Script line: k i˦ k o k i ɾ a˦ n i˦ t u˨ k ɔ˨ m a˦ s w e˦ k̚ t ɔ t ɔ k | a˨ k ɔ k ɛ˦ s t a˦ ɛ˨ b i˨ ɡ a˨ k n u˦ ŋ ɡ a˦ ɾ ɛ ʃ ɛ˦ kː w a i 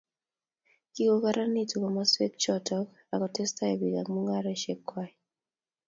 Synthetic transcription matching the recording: k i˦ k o k a ɾ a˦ n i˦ t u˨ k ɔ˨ m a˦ s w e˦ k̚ t͡ʃ ɔ t ɔ k | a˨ k ɔ t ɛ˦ s t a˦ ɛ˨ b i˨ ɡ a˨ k m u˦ ŋ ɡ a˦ ɾ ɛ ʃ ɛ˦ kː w a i